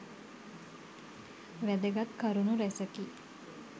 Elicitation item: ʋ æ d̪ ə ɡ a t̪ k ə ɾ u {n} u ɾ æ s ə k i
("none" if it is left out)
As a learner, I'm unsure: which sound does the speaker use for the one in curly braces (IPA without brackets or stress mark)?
n